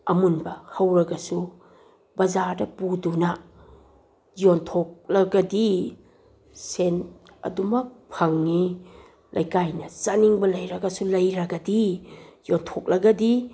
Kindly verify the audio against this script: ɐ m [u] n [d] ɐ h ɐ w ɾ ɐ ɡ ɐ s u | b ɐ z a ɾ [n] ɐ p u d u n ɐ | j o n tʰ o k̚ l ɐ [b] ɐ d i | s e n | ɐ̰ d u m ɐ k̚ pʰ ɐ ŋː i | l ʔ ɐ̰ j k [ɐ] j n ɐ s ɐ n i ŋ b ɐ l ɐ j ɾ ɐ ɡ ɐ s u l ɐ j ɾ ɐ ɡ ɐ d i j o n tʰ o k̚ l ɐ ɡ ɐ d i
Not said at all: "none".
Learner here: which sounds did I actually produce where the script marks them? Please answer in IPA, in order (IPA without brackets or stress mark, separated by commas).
u, b, d, ɡ, a